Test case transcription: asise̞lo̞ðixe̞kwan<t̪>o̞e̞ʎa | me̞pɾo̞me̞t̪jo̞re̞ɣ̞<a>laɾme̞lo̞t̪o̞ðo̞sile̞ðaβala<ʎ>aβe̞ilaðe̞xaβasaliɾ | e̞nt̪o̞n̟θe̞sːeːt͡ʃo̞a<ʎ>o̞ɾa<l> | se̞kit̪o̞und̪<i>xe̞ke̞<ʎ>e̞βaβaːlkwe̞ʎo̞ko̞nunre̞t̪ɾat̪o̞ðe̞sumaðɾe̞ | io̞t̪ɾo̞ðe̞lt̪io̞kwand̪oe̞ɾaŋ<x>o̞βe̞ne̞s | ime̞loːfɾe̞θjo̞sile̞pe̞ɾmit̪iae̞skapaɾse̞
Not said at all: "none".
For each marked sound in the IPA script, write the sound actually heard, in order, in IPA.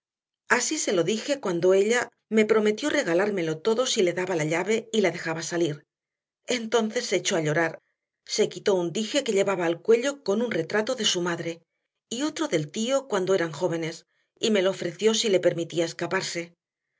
d̪, a, ʎ, ʎ, ɾ, i, ʎ, x

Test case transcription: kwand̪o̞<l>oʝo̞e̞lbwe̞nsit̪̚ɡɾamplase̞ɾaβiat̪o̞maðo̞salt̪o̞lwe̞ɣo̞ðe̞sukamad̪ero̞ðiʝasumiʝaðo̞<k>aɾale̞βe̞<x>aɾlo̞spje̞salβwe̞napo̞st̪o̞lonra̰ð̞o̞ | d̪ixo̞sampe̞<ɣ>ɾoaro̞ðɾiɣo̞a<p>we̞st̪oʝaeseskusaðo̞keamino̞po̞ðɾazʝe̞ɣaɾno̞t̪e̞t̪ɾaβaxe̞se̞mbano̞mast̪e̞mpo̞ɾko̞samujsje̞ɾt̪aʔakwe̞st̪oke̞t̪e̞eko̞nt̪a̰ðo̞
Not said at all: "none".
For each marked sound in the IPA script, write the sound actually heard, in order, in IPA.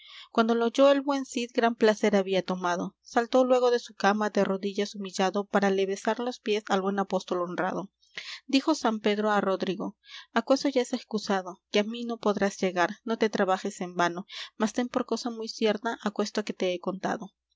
l, p, s, ð, k

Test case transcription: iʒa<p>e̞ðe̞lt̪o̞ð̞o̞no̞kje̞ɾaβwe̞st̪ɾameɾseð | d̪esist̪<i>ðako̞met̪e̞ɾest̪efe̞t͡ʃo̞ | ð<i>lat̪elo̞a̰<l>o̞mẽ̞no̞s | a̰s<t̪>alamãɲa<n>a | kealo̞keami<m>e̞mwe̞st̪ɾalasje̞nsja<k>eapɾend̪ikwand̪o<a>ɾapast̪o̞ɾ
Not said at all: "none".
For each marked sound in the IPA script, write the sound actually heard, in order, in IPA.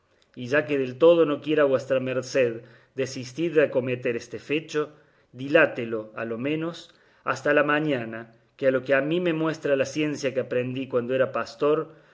k, i, i, l, t̪, n, m, k, e

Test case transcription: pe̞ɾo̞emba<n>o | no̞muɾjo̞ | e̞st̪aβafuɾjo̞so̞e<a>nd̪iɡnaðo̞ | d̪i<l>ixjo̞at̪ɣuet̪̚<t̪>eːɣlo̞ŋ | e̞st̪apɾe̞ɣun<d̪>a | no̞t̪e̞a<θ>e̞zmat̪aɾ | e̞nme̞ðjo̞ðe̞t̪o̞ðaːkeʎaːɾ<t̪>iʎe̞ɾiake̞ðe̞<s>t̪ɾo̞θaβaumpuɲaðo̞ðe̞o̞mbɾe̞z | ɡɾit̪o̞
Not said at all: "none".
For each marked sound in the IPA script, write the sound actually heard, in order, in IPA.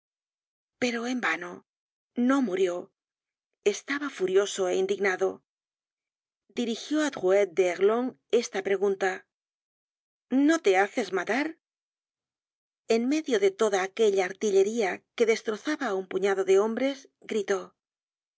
n, i, ɾ, d̪, t̪, θ, t̪, s

